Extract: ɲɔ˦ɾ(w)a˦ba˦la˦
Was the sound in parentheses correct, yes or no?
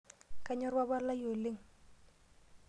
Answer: yes